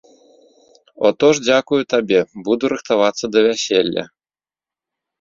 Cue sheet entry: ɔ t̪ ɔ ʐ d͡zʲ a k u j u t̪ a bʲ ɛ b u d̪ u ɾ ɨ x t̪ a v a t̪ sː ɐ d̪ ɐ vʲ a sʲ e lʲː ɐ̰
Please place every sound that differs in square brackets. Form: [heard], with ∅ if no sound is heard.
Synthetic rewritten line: ɔ t̪ ɔ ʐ d͡zʲ a k u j u t̪ a bʲ ɛ b u d̪ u ɾ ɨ x t̪ a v a t̪ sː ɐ d̪ ɐ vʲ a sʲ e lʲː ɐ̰